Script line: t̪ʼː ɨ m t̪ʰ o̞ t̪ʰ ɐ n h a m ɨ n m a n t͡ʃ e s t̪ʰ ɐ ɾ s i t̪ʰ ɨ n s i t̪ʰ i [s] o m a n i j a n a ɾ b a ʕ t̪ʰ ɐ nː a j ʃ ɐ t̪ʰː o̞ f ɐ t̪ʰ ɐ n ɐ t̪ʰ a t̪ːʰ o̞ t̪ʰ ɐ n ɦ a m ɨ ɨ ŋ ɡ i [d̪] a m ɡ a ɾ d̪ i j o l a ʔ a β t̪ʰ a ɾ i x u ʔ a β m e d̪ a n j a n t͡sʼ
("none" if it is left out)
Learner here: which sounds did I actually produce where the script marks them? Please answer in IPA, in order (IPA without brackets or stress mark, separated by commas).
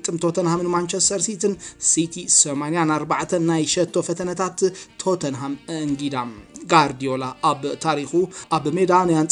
s, d̪